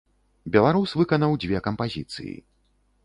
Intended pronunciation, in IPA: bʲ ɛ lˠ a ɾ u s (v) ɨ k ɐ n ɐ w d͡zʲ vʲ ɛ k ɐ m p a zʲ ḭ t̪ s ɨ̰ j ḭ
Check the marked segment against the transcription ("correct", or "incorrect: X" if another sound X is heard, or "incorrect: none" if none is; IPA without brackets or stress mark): correct